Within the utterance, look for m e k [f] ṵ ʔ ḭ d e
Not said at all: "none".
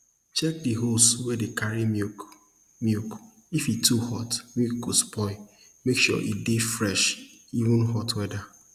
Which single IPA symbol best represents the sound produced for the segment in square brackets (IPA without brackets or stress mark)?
ʃ